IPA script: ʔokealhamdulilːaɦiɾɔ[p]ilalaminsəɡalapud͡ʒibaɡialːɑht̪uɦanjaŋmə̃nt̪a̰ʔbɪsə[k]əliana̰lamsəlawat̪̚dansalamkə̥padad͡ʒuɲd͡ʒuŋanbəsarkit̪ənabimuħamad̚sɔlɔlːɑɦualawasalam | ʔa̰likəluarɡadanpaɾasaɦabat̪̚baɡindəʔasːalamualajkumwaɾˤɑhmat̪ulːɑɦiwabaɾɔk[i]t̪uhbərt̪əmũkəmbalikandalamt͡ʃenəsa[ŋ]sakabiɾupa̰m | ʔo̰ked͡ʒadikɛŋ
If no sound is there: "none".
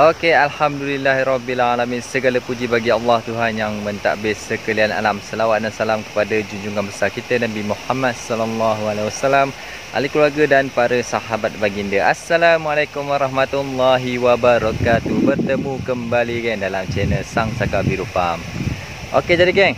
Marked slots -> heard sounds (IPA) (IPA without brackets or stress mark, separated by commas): b, k, a, ŋ